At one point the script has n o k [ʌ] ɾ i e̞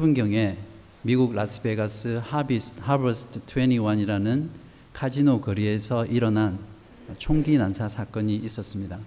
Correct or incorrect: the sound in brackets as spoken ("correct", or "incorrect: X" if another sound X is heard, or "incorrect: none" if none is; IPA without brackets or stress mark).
correct